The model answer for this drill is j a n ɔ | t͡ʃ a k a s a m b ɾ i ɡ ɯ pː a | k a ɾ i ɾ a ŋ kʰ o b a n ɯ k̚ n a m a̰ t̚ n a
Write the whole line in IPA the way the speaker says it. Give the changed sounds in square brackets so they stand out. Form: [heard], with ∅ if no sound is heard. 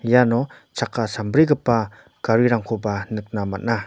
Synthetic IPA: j a n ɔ | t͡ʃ a k a s a m b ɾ i ɡ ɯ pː a | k a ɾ i ɾ a ŋ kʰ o b a n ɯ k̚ n a m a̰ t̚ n a